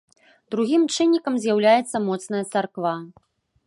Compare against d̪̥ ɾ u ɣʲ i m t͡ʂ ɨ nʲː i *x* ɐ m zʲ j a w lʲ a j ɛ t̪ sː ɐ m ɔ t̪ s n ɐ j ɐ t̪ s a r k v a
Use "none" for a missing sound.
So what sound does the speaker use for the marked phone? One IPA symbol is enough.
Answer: k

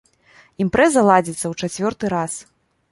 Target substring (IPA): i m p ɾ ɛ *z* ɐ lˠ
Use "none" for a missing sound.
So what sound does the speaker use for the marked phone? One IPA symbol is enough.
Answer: z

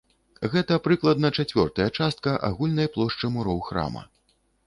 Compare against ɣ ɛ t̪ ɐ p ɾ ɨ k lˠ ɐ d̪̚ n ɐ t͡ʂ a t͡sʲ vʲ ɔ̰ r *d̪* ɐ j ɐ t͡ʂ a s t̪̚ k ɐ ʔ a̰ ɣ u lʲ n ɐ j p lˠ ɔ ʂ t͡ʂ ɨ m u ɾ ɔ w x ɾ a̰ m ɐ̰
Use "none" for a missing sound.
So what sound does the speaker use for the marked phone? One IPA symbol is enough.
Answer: t̪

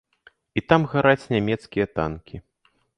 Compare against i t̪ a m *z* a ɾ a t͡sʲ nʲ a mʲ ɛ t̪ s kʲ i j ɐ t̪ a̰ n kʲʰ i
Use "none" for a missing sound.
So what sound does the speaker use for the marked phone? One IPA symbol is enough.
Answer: ɣ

